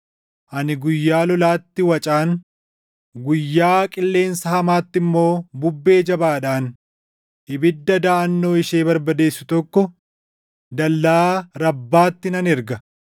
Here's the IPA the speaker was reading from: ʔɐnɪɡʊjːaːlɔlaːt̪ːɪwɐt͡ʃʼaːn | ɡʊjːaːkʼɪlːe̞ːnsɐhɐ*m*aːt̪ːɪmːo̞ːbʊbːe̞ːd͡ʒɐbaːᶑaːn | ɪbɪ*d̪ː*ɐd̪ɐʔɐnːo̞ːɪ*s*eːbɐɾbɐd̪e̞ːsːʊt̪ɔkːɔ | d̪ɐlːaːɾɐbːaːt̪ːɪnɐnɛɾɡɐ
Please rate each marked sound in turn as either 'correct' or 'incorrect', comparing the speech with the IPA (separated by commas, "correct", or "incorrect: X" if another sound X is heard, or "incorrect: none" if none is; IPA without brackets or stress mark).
correct, correct, incorrect: ʃ